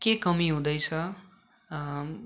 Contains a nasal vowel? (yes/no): yes